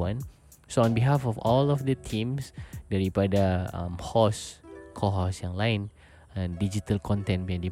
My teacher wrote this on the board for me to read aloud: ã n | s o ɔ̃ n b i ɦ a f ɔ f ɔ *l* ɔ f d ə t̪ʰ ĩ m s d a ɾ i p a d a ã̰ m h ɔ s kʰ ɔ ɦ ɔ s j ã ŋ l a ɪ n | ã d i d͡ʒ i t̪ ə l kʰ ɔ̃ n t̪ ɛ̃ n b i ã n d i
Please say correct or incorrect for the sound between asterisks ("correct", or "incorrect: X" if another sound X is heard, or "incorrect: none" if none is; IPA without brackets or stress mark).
correct